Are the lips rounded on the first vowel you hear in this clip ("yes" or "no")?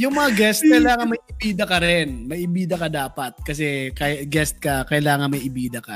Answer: yes